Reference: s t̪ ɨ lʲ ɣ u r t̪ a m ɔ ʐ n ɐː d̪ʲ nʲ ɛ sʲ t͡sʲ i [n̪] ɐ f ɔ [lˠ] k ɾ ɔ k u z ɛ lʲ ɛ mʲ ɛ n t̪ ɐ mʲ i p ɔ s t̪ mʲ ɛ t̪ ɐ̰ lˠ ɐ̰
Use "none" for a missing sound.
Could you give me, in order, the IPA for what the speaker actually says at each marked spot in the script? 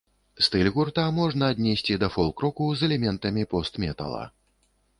d̪, lˠ

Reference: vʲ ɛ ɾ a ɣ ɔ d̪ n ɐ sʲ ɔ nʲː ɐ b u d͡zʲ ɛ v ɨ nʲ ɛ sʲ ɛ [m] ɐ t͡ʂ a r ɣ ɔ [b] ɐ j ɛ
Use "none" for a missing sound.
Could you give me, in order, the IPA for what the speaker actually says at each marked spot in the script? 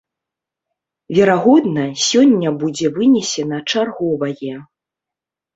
n, v

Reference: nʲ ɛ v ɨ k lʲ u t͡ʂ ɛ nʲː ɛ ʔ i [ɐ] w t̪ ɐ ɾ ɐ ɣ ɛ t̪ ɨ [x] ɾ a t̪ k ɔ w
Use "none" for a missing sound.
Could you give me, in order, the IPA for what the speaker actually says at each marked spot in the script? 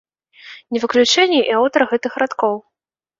a, x

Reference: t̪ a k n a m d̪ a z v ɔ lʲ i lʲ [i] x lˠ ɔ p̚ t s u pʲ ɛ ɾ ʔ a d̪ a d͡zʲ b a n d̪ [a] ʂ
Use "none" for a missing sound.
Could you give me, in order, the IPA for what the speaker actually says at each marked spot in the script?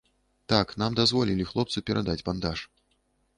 i, a

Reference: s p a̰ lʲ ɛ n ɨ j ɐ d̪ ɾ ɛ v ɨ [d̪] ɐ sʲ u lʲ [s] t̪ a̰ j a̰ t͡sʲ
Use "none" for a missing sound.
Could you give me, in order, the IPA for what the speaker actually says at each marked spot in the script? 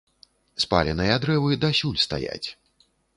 d̪, s

